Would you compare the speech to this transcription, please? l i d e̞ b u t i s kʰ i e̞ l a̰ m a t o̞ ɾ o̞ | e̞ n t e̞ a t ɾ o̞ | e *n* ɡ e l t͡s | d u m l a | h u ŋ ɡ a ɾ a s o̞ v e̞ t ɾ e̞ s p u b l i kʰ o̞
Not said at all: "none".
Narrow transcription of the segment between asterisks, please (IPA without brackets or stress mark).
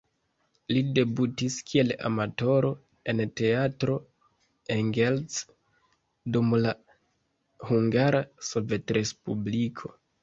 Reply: ŋ